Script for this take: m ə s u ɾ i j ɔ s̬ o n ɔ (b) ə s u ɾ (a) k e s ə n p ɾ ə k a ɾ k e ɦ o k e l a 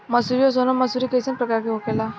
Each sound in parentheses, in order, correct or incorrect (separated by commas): incorrect, incorrect